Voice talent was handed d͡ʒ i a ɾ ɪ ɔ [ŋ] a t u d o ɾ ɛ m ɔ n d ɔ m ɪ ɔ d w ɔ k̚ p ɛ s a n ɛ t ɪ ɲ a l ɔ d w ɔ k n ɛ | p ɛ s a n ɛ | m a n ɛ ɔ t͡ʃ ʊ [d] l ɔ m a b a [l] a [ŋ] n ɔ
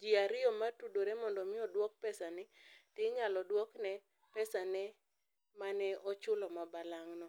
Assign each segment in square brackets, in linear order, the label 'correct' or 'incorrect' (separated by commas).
incorrect, incorrect, correct, correct